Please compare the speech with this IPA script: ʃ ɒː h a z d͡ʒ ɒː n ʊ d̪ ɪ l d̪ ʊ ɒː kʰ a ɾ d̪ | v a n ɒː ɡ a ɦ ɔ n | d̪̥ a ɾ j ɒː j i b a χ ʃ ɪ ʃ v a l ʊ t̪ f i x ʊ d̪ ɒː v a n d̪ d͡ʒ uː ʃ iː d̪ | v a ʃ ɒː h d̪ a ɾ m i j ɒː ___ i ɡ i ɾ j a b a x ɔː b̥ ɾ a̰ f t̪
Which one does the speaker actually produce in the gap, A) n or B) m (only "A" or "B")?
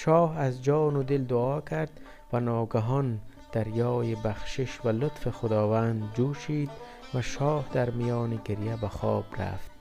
A